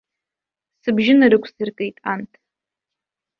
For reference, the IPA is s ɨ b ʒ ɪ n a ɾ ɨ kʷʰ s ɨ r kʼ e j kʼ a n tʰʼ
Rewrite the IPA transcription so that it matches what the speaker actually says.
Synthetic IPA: s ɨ b ʒ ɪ n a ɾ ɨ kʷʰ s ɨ r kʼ e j tʼ a n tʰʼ